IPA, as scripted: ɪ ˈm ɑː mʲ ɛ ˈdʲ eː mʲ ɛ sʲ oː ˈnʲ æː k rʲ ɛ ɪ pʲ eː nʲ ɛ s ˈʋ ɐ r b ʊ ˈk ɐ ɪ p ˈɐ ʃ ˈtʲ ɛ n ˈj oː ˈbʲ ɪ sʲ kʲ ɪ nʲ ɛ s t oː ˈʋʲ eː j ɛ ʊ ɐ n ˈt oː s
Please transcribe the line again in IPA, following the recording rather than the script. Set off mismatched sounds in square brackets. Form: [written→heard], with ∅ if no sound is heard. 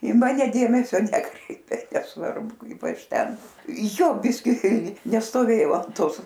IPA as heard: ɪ ˈm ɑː [mʲ→nʲ] ɛ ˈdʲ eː mʲ ɛ sʲ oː ˈnʲ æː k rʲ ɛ ɪ pʲ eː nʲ ɛ s ˈʋ ɐ r b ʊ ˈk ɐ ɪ p ˈɐ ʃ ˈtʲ ɛ n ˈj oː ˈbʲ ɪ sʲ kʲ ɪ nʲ ɛ s t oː ˈʋʲ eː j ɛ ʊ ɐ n ˈt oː s